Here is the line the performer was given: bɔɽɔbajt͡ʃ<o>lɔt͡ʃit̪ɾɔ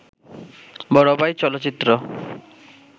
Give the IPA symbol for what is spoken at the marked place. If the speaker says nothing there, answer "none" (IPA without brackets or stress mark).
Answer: ɔ